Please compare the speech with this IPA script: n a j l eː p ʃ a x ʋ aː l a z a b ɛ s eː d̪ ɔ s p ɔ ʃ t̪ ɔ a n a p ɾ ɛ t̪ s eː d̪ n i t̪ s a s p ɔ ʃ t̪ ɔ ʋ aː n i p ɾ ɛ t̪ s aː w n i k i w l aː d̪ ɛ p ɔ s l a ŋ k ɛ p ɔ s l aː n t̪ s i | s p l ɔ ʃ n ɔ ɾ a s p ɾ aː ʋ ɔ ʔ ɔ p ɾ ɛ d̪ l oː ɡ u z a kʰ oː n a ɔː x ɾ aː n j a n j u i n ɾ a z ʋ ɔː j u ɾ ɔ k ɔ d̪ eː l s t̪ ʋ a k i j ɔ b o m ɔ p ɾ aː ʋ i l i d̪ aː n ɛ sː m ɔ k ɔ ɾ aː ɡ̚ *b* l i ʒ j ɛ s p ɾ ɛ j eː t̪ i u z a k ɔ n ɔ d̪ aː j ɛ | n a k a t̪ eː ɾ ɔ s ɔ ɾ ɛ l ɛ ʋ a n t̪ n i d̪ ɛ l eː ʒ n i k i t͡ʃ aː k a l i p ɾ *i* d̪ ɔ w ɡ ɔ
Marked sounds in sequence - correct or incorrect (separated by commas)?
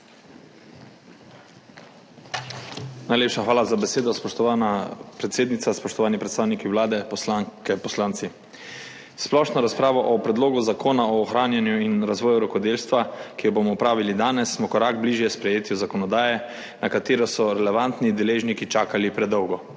correct, incorrect